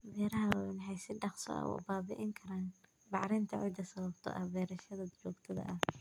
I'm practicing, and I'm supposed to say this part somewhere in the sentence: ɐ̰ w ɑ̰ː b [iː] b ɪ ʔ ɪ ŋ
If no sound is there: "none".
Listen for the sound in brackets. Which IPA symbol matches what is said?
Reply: aː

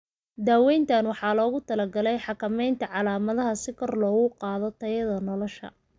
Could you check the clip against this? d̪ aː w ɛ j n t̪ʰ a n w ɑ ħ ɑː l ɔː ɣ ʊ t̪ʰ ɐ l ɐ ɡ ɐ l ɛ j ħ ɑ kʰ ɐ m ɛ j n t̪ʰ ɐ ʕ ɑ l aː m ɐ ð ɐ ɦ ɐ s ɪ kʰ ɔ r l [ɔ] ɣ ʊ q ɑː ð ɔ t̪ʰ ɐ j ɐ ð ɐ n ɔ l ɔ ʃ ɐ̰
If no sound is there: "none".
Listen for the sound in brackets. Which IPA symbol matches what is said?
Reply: ɔː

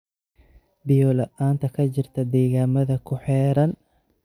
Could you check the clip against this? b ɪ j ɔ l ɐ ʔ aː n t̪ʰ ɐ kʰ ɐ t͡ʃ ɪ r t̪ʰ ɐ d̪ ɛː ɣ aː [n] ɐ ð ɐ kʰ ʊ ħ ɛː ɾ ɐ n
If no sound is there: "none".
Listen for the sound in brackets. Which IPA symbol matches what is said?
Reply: m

